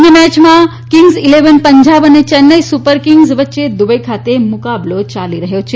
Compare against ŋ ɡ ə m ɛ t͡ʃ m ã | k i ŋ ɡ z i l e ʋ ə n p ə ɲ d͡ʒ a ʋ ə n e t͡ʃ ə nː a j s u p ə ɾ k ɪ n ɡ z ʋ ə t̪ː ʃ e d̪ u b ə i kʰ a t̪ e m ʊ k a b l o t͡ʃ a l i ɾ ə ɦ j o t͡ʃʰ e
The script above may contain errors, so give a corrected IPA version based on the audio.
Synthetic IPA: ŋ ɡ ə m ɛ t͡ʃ m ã | k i ŋ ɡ z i l e ʋ ə n p ə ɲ d͡ʒ a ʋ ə n e t͡ʃ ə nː ə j s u p ə ɾ k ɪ ŋ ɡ z ʋ ə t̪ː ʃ e d̪ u b ə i kʰ a t̪ e m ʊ k a b l o t͡ʃ a l i ɾ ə ɦ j o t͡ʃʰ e